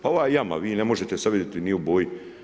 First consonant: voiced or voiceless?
voiceless